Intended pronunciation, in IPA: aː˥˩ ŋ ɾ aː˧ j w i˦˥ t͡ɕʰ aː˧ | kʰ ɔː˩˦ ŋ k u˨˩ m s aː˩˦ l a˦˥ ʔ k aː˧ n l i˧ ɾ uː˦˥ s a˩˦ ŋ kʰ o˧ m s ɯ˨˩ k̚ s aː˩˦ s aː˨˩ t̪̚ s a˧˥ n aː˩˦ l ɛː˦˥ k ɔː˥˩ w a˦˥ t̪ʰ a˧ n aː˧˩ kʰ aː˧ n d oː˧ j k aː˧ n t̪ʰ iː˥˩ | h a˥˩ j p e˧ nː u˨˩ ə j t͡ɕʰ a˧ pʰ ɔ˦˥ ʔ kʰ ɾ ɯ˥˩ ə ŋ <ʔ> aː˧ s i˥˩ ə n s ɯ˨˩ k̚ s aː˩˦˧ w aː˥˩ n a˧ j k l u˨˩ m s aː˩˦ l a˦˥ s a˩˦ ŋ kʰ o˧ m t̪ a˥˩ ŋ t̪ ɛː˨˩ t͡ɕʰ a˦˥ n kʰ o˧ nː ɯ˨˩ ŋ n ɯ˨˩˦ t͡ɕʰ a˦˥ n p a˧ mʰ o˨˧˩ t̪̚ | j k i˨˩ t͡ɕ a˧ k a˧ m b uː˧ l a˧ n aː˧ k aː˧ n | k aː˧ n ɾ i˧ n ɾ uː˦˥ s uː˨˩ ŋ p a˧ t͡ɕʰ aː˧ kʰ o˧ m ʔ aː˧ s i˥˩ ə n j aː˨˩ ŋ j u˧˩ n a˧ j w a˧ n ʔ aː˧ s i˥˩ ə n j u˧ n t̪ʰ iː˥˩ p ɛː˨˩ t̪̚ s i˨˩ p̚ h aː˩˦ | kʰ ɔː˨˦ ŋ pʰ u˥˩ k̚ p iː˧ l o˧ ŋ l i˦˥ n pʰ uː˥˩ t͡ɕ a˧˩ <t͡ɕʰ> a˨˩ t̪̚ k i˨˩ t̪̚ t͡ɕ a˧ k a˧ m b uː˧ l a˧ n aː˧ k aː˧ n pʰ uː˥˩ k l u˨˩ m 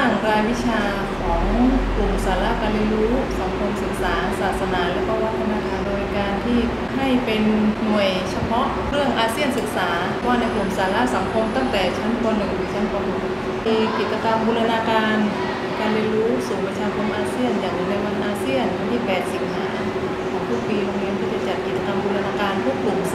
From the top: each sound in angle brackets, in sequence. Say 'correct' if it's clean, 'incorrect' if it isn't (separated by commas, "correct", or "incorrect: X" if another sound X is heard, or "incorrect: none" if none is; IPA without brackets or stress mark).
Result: correct, incorrect: t͡ɕ